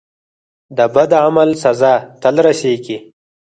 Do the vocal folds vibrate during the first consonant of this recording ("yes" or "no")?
yes